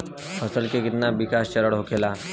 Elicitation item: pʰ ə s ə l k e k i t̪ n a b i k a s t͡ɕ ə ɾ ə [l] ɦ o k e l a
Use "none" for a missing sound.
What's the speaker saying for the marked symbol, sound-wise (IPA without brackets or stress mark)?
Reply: ɽ